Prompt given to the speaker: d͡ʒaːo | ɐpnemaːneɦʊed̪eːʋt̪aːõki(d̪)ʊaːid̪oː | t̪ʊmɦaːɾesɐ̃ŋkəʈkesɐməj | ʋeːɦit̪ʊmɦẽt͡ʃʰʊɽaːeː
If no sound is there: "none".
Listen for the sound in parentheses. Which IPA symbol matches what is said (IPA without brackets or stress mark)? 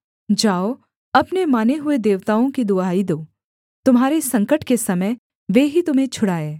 d̪